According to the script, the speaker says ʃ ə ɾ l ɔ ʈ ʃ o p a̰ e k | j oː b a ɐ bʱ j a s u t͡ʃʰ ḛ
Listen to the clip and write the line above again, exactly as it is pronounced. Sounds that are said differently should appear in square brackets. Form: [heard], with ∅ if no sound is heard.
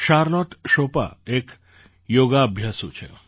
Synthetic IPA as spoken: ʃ [a] ɾ l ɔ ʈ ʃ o p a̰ e k | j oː [ɡ] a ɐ bʱ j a s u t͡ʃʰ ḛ

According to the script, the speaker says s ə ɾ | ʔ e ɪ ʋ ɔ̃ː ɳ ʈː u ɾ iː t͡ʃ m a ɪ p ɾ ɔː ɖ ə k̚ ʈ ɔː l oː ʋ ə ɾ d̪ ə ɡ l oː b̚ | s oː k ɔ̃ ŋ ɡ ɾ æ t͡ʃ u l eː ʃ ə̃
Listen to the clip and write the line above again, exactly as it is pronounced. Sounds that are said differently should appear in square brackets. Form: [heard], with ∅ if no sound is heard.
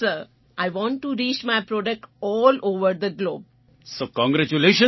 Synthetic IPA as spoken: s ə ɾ | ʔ [a] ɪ ʋ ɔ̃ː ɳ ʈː u ɾ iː t͡ʃ m a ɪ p ɾ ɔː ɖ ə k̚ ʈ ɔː l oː ʋ ə ɾ d̪ ə ɡ l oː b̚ | s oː k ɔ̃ ŋ ɡ ɾ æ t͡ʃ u l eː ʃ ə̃

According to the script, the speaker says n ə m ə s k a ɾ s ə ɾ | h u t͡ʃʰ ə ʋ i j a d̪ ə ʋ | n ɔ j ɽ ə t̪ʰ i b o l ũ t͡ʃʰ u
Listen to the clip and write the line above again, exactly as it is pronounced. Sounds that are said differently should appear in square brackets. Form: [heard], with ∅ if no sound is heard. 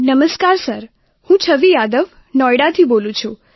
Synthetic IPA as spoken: n ə m ə s k a ɾ s ə ɾ | h [ũ] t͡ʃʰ ə ʋ i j a d̪ ə ʋ | n ɔ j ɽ [a] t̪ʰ i b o l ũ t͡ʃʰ u

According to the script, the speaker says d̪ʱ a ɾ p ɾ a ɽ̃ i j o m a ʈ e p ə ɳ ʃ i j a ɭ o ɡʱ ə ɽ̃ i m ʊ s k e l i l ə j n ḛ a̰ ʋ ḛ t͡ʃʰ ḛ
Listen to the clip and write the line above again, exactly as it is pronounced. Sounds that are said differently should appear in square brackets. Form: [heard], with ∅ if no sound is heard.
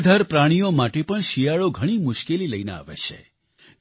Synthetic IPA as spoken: d̪ʱ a ɾ p ɾ a ɽ̃ i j o m a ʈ e p ə ɳ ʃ i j a ɭ o ɡʱ ə ɽ̃ i m ʊ [ʃ] k e l i l ə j n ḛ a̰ ʋ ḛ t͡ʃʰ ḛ

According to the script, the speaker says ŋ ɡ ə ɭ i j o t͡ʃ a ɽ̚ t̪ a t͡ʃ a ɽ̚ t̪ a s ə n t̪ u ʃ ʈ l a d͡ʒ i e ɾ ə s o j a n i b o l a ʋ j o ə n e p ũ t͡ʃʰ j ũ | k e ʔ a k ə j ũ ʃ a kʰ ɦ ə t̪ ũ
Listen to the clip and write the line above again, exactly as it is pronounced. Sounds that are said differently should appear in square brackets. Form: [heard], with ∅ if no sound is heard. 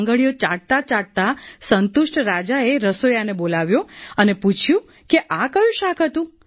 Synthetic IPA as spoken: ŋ ɡ ə ɭ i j o t͡ʃ a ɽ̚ t̪ a t͡ʃ a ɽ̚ t̪ a s ə n t̪ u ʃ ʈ [ɾ] a d͡ʒ [a] e ɾ ə s o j a n [e] b o l a ʋ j o ə n e p [u] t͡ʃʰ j ũ | k e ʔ a k ə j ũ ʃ a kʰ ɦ ə t̪ ũ

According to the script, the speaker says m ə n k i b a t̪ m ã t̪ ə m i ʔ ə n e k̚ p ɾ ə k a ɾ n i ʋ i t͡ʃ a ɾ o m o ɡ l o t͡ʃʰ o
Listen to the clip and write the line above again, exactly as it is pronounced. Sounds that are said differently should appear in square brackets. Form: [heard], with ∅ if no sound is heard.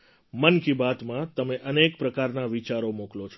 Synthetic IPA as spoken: m ə n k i b a t̪ m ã t̪ ə m [e] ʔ ə n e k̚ p ɾ ə k a ɾ n [a] ʋ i t͡ʃ a ɾ o m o [k] l o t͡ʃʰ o

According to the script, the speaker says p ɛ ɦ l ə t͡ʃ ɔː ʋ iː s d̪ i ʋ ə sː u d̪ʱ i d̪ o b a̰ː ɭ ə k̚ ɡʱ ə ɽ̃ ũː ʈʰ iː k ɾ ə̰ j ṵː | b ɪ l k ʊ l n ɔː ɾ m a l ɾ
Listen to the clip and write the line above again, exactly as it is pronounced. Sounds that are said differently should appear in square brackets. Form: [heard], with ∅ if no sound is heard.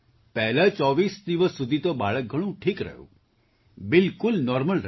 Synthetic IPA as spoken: p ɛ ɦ l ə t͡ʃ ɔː ʋ iː s d̪ i ʋ ə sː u d̪ʱ i [t̪] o b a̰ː ɭ ə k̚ ɡʱ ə ɽ̃ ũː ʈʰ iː k ɾ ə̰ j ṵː | b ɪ l k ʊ l n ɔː ɾ m [ə] l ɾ

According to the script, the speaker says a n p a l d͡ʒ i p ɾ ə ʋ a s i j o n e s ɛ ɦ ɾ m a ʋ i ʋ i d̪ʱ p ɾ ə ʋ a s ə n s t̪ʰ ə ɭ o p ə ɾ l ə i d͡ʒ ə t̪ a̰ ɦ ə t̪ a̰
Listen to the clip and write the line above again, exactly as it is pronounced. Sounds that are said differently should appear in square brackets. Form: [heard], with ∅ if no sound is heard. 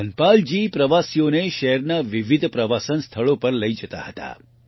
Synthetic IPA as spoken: [ə] n p a l d͡ʒ i p ɾ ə ʋ a s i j o n e [ʃ] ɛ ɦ ɾ [n] a ʋ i ʋ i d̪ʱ p ɾ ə ʋ a s ə n s t̪ʰ ə ɭ o p ə ɾ l ə i d͡ʒ ə t̪ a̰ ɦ ə t̪ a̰

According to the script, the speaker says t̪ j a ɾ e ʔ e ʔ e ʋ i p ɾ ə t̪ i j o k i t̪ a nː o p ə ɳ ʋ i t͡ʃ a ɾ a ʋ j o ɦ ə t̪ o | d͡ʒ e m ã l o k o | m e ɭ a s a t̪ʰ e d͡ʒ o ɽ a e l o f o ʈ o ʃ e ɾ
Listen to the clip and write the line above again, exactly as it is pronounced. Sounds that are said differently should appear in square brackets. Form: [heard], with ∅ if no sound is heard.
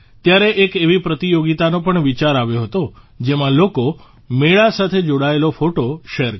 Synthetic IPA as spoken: t̪ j a ɾ e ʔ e [k] e ʋ i p ɾ ə t̪ i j o [ɡ] i t̪ a [n] o p ə ɳ ʋ i t͡ʃ a ɾ a ʋ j o ɦ ə t̪ o | d͡ʒ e m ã l o k o | m e ɭ a s a t̪ʰ e d͡ʒ o ɽ a e l o f o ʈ o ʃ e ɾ

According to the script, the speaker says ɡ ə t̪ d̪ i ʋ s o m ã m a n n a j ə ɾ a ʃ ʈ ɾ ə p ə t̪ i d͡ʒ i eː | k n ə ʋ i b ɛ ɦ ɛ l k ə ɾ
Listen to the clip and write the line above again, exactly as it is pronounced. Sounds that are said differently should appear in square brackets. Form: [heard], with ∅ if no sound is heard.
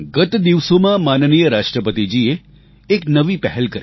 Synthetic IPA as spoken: ɡ ə t̪ d̪ i ʋ s o m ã m a n n [i] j ə ɾ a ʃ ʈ ɾ ə p ə t̪ i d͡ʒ i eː | k n ə ʋ i [p] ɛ ɦ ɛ l k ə ɾ

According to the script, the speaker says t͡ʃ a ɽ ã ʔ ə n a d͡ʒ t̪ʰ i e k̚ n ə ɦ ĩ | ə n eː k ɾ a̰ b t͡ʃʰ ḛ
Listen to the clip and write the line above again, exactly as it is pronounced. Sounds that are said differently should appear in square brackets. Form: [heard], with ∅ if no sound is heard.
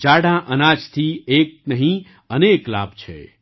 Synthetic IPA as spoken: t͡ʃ a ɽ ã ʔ ə n a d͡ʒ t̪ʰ i e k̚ n ə ɦ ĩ | ə n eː k [l] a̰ b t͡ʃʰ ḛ

